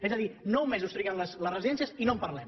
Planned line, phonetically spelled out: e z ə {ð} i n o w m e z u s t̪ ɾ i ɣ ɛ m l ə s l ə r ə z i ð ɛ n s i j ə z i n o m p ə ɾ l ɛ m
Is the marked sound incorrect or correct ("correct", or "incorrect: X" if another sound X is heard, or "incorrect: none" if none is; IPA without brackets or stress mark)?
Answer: correct